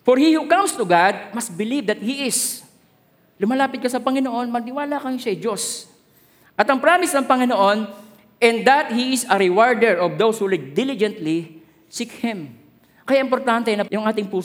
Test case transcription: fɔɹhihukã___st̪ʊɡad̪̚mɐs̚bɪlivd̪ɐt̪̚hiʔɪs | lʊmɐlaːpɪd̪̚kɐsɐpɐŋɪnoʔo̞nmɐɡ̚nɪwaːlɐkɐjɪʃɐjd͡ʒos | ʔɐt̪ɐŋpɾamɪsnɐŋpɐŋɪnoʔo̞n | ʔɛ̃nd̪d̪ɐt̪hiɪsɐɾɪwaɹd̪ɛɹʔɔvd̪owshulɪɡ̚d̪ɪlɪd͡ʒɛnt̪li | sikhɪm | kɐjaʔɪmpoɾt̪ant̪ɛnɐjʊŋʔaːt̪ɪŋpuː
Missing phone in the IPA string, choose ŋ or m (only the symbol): m